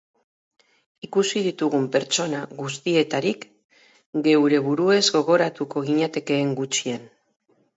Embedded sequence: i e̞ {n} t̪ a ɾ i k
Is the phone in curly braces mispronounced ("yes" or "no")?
yes